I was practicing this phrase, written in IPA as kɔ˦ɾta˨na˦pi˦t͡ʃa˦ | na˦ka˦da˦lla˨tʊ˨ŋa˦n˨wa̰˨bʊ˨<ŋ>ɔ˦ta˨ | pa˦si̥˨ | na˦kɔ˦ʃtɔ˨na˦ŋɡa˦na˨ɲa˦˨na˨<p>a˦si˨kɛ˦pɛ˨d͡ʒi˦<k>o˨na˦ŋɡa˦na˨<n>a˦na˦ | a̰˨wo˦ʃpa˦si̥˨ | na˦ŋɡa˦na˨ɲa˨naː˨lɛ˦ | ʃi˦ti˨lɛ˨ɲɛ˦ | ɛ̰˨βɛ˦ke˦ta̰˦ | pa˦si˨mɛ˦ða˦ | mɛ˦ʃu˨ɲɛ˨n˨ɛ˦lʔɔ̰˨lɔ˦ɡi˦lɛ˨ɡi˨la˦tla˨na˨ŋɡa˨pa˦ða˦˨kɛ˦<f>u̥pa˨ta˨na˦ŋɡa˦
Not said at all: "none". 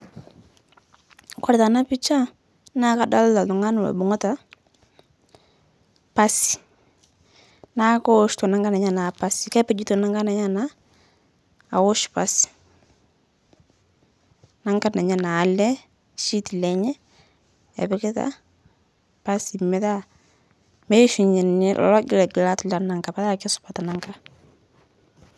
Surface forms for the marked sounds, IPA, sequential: ŋ, p, t, ɲ, s

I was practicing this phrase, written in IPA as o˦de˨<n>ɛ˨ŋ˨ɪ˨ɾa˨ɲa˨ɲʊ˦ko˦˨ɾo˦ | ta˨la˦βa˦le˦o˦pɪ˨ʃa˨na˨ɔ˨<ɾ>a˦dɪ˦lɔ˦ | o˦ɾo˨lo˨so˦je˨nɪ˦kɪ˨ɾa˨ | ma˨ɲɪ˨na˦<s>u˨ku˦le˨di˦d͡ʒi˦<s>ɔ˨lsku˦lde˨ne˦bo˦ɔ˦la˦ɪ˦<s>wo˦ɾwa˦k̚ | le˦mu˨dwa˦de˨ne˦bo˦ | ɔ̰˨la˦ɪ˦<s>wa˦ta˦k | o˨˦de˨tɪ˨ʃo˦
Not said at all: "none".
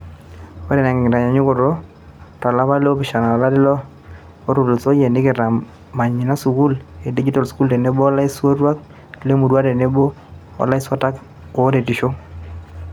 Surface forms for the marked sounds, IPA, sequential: n, l, s, t, s, s

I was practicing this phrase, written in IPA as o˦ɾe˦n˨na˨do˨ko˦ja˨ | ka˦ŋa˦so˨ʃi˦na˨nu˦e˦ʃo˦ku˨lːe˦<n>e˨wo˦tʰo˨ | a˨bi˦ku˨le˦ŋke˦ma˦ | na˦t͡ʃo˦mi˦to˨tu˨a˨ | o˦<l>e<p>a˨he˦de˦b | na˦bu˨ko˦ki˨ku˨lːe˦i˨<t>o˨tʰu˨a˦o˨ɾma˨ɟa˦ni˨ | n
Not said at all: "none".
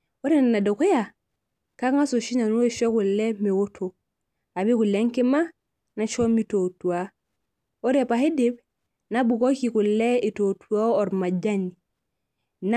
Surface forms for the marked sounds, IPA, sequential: m, ɾ, p, t

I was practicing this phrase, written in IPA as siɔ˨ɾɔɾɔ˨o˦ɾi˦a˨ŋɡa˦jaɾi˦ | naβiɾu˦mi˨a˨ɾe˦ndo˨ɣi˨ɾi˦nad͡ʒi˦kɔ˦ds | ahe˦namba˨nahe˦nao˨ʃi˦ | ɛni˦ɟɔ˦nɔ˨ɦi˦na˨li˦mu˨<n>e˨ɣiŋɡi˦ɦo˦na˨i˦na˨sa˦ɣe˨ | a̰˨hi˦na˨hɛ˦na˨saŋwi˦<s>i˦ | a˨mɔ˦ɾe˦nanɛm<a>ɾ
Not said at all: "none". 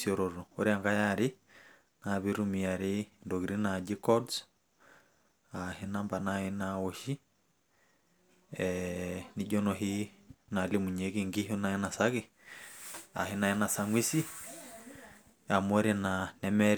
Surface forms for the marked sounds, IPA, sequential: ɲ, s, ɛ

